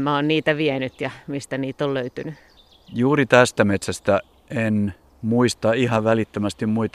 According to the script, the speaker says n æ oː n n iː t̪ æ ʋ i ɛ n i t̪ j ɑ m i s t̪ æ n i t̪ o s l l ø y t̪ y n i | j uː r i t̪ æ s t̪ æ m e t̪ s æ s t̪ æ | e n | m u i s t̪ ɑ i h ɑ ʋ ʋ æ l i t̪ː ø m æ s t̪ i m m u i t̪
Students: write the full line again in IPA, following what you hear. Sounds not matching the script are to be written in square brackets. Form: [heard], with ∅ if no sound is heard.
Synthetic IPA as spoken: [m] æ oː n n iː t̪ æ ʋ i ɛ n [y] t̪ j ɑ m i s t̪ æ n [iː] t̪ o [∅] l l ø y t̪ y n [y] | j uː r i t̪ æ s t̪ æ m e t̪ s æ s t̪ æ | e n | m u i s t̪ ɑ i h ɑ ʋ ʋ æ l i t̪ː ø m æ s t̪ i m m u i t̪